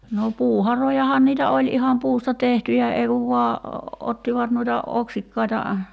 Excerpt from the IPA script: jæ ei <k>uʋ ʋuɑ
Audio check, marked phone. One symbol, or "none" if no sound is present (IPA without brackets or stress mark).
k